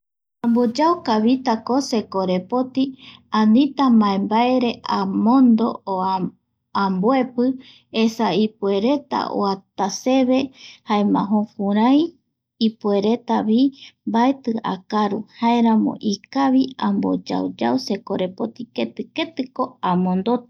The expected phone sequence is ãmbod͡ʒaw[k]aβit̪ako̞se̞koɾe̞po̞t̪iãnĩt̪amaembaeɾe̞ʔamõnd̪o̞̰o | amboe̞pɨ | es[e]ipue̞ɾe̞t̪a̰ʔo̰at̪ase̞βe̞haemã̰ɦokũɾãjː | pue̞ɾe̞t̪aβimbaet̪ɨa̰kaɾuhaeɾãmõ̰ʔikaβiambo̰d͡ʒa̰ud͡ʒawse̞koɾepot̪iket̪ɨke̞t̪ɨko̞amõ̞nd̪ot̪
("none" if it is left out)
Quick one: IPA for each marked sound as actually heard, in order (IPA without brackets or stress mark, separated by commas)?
k, a